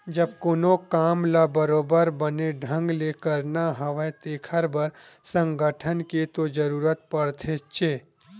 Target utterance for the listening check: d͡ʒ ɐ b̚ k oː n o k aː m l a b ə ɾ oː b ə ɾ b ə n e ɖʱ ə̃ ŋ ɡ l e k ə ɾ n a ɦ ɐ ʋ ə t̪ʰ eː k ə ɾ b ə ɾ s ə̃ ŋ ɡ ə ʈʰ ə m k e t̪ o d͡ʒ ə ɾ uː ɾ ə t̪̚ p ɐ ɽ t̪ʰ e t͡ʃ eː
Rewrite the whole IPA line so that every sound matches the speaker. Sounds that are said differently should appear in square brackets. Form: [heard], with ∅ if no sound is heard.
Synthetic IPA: d͡ʒ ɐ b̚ k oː n o k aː m l a b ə ɾ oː b ə ɾ b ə n e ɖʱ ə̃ ŋ ɡ l e k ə ɾ n a ɦ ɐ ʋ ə [t̪] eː [kʰ] ə ɾ b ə ɾ s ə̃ ŋ ɡ ə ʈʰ ə [n] k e t̪ o d͡ʒ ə ɾ uː ɾ ə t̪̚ p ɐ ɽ t̪ʰ e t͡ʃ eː